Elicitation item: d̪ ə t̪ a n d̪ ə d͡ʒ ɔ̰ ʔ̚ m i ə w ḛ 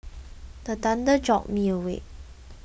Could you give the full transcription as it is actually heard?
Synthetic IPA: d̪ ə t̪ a n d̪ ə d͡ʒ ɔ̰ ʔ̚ m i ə w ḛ